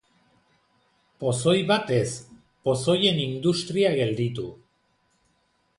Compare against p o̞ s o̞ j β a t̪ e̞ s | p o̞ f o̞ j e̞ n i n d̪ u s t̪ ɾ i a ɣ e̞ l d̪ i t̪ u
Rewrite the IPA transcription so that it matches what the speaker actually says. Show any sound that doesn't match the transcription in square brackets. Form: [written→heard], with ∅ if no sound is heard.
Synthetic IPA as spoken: p o̞ s o̞ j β a t̪ e̞ s | p o̞ [f→s] o̞ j e̞ n i n d̪ u s t̪ ɾ i a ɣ e̞ l d̪ i t̪ u